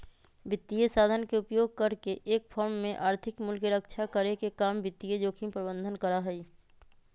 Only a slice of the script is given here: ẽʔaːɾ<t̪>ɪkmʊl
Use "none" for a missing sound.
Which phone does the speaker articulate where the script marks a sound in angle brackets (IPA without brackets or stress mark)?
t̪ʰ